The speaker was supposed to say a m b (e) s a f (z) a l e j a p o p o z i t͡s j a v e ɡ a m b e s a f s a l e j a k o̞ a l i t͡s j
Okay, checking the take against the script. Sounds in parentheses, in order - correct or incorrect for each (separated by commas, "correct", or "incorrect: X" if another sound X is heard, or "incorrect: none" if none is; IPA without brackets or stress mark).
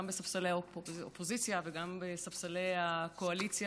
correct, incorrect: s